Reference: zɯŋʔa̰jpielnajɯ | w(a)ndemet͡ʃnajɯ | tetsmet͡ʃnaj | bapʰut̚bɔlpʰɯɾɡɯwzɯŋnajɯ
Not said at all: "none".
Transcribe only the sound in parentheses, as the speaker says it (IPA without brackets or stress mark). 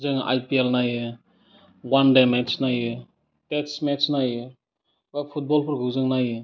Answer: a